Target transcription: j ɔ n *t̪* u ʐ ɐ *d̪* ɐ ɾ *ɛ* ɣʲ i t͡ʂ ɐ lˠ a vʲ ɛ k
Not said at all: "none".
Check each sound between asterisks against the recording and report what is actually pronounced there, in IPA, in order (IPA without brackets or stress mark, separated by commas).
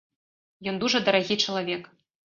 d̪, d̪, a